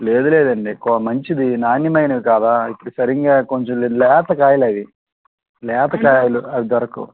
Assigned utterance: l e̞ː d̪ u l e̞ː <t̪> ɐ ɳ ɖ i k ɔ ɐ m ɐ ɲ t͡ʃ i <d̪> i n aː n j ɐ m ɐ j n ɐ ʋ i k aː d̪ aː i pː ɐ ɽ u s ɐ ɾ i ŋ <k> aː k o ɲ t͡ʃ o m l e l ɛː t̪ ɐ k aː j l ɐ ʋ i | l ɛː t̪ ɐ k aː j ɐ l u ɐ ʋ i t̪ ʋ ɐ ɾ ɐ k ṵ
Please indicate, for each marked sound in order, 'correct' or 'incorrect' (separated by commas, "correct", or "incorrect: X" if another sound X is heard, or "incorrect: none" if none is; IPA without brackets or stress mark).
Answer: incorrect: d̪, correct, incorrect: ɡ